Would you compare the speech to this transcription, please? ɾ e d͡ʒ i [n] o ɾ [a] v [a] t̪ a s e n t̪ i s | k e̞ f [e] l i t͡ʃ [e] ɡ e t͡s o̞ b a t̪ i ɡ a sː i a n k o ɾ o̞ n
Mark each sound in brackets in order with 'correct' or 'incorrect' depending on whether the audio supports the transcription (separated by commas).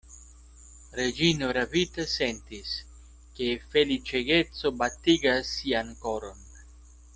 correct, correct, incorrect, correct, correct